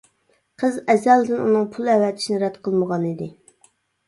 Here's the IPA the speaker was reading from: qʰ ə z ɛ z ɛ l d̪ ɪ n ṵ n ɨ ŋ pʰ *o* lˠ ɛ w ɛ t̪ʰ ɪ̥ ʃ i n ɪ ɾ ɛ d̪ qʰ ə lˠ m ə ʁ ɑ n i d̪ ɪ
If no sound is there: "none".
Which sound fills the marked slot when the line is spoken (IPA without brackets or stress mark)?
u